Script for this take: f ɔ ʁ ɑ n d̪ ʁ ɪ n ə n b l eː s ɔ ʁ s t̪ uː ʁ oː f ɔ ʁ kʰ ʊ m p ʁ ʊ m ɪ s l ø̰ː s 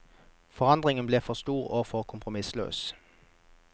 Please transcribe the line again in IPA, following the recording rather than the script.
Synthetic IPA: f ɔ ʁ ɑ n d̪ ʁ ɪ ŋ ə n b l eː f ɔ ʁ s t̪ uː ʁ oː f ɔ ʁ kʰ ʊ m p ʁ ʊ m ɪ s l ø̰ː s